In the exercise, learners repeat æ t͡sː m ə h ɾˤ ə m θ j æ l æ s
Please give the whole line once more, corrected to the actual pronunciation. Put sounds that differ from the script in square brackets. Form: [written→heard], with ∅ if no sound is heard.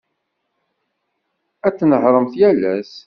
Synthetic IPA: æ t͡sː [m→n] ə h ɾˤ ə m θ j æ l æ s